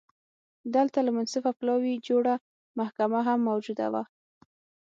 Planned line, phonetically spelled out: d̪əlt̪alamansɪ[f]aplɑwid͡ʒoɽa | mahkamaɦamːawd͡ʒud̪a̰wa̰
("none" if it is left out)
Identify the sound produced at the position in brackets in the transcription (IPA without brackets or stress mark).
f